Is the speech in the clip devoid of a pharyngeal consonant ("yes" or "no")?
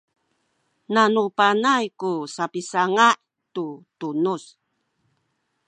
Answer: yes